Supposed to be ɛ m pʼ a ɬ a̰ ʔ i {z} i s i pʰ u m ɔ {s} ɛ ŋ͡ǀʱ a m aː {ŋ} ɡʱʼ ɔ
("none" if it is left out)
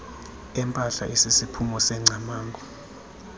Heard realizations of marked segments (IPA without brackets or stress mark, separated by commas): s, s, ŋ